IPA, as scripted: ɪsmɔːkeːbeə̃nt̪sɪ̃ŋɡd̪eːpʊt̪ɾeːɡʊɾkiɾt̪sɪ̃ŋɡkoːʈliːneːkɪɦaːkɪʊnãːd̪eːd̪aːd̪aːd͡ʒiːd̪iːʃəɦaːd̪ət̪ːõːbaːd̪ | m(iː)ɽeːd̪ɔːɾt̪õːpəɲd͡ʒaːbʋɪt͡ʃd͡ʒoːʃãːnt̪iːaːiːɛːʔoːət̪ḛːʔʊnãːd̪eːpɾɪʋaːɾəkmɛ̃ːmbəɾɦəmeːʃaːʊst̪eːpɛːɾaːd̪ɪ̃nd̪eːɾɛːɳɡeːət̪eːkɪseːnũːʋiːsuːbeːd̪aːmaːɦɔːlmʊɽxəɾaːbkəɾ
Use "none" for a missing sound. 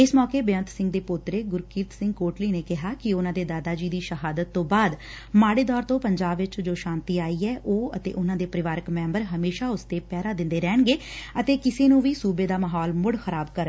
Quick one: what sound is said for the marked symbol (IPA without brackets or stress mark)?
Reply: aː